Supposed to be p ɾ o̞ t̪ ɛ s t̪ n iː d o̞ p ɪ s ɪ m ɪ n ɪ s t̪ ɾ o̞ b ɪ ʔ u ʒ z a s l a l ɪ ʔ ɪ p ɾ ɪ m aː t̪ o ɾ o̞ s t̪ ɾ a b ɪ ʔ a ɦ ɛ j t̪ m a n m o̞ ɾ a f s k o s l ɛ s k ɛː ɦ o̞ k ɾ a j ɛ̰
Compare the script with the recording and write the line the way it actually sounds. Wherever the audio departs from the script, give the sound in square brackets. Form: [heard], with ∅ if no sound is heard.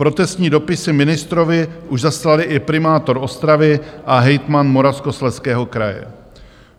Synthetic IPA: p ɾ o̞ t̪ ɛ s t̪ [ɲ] iː d o̞ p ɪ s ɪ m ɪ n ɪ s t̪ ɾ o̞ [v] ɪ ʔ u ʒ z a s l a l ɪ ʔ ɪ p ɾ ɪ m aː t̪ o ɾ o̞ s t̪ ɾ a [v] ɪ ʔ a ɦ ɛ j t̪ m a n m o̞ ɾ a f s k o s l ɛ s k ɛː ɦ o̞ k ɾ a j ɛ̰